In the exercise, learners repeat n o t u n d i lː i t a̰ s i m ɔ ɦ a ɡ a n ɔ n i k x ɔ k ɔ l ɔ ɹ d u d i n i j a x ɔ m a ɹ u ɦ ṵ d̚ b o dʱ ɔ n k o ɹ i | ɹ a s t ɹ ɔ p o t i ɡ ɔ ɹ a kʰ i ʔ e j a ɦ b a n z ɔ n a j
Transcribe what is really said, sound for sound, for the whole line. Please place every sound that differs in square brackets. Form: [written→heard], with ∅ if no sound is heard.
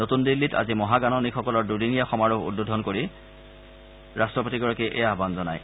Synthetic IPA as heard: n o t u n d i lː i t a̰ [s→z] i m ɔ ɦ a ɡ a n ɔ n i k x ɔ k ɔ l ɔ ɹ d u d i n i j a x ɔ m a ɹ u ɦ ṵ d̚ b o dʱ ɔ n k o ɹ i | ɹ a s t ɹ ɔ p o t i ɡ ɔ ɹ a [kʰ→k] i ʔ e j a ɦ b a n z ɔ n a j

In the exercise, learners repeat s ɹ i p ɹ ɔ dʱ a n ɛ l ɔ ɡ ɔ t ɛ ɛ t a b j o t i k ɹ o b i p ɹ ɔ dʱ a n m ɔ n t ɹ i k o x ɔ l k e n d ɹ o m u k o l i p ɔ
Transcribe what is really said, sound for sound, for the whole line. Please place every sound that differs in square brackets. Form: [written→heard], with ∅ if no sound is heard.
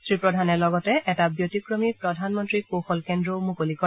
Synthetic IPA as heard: s ɹ i p ɹ ɔ dʱ a n ɛ l ɔ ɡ ɔ t ɛ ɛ t a b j o t i k ɹ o [b→m] i p ɹ ɔ dʱ a n m ɔ n t ɹ i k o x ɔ l k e n d ɹ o m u k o l i [p→k] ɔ

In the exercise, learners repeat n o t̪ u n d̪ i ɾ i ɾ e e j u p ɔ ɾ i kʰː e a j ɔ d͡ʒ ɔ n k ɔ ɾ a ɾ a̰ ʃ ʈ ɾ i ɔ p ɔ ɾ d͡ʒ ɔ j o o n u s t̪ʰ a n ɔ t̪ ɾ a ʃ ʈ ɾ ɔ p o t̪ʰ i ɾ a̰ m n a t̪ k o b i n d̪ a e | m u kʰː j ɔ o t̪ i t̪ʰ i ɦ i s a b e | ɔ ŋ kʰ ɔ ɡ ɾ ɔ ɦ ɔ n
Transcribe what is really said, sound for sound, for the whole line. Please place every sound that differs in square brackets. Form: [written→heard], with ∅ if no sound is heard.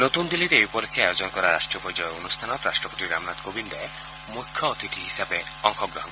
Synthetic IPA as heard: n o t̪ u n d̪ i [ɾ→l] i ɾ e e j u p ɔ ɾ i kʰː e a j [ɔ→o] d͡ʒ ɔ n k ɔ ɾ a ɾ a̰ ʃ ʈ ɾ i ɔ p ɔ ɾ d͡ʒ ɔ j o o n u s t̪ʰ a n ɔ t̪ ɾ a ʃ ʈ ɾ ɔ p o [t̪ʰ→t̪] i ɾ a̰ m n a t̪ k o b i n d̪ a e | m u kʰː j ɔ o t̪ i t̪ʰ i ɦ i s a b e | ɔ ŋ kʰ ɔ ɡ ɾ ɔ ɦ ɔ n

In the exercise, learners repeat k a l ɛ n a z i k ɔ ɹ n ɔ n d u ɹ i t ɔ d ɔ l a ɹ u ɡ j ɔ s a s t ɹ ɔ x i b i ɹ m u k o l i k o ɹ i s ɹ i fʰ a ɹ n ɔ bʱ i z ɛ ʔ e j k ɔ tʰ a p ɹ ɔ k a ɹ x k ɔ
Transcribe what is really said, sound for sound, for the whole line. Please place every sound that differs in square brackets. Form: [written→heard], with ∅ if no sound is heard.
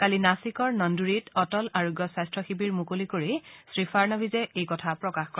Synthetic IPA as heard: k a l [ɛ→i] n a [z→s] i k ɔ ɹ n ɔ n d u ɹ i t ɔ [d→t] ɔ l a ɹ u ɡ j ɔ s a s t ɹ ɔ x i b i ɹ m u k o l i k o ɹ i s ɹ i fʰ a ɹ n ɔ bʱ i z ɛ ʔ e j k ɔ tʰ a p ɹ ɔ k a [ɹ→∅] x k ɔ

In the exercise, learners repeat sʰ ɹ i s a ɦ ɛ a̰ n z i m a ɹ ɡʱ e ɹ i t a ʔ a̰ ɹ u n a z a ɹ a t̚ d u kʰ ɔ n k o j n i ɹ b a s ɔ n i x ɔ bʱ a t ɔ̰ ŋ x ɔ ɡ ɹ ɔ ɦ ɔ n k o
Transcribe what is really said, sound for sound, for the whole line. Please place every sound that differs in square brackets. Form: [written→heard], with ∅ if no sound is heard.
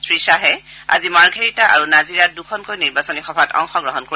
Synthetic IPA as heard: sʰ ɹ i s a ɦ ɛ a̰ [n→∅] z i m a ɹ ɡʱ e ɹ i t a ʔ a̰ ɹ u n a z [a→i] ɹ a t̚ d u kʰ ɔ n k o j n i ɹ b a s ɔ n i x ɔ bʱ a t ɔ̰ ŋ x ɔ ɡ ɹ ɔ ɦ ɔ n k o

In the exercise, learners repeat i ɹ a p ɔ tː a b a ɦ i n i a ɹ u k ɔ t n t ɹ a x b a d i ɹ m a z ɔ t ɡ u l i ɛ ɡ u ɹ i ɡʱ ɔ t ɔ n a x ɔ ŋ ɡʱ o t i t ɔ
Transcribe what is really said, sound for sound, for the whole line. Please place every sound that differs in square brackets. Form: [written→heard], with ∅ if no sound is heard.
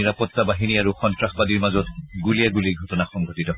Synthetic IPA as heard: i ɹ a p ɔ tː a b a ɦ i n i a ɹ u [k→x] ɔ [t→∅] n t ɹ a x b a d i ɹ m a z ɔ t ɡ u l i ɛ ɡ u [ɹ→l] i ɡʱ ɔ t ɔ n a x ɔ ŋ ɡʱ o t i t ɔ

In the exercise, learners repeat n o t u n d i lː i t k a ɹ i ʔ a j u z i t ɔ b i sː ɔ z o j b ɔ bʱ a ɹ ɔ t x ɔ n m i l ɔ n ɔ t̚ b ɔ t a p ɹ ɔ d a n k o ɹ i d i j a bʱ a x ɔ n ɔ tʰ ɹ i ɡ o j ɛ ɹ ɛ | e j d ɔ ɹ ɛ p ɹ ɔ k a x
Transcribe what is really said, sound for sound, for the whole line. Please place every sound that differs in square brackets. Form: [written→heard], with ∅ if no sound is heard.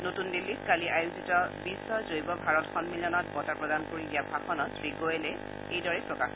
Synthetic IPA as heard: n o t u n d i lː i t k a [ɹ→l] i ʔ a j u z i t ɔ b i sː ɔ z o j b ɔ bʱ a ɹ ɔ t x ɔ n m i l ɔ n ɔ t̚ b ɔ t a p ɹ ɔ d a n k o ɹ i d i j a bʱ a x ɔ n ɔ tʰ ɹ i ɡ o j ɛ [ɹ→l] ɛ | e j d ɔ ɹ ɛ p ɹ ɔ k a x

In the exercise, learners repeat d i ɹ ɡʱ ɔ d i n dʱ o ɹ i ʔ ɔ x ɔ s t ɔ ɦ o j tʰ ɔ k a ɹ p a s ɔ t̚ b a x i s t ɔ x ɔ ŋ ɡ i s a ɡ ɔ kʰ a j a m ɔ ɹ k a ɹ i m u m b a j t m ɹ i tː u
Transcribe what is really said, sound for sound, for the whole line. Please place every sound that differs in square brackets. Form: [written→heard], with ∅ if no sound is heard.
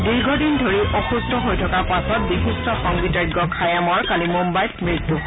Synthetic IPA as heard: d i ɹ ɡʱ ɔ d i n dʱ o ɹ i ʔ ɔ x [ɔ→u] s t ɔ ɦ o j tʰ ɔ k a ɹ p a s ɔ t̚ b [a→i] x i s t ɔ x ɔ ŋ ɡ i [s→t] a ɡ ɔ kʰ a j a m ɔ ɹ k a [ɹ→l] i m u m b a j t m ɹ i tː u

